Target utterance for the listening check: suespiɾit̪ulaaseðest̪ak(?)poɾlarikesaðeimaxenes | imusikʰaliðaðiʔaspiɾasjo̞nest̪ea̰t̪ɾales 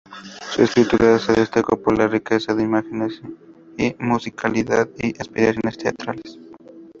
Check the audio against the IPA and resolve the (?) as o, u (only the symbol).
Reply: o